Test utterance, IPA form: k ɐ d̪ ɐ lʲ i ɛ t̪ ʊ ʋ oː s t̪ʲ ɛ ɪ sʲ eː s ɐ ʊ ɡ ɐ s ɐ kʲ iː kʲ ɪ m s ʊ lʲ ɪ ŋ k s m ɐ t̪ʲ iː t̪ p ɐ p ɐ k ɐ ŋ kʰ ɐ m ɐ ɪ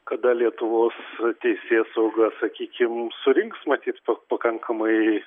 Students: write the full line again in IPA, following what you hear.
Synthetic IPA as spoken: k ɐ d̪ ɐ lʲ i ɛ t̪ ʊ ʋ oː s t̪ʲ ɛ ɪ sʲ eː s ɐ ʊ ɡ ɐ s ɐ kʲ iː kʲ ɪ m s ʊ ɾʲ ɪ ŋ k s m ɐ t̪ʲ iː t̪ p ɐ p ɐ k ɐ ŋ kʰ ɐ m ɐ ɪ